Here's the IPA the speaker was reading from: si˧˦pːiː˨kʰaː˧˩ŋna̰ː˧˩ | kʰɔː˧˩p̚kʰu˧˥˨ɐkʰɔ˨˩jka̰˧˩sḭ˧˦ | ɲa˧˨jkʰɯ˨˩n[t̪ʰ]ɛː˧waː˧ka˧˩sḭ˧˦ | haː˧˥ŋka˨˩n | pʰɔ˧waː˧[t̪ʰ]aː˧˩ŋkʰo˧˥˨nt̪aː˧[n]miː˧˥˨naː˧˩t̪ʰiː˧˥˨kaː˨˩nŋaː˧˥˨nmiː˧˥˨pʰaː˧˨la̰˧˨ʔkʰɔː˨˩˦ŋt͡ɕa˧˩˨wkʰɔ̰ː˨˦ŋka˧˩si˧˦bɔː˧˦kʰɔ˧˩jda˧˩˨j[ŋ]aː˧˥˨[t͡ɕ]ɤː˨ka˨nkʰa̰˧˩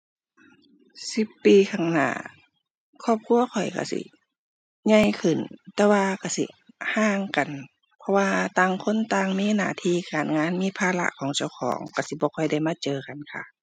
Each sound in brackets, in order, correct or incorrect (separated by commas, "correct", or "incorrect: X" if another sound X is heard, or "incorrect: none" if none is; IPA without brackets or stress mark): incorrect: t̪, incorrect: t̪, incorrect: ŋ, incorrect: m, correct